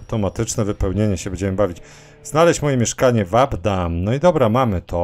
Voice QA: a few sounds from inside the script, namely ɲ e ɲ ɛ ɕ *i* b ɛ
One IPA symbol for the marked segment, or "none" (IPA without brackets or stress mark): ɛ